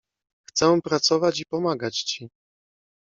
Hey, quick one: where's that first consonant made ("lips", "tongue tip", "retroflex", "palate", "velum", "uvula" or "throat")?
velum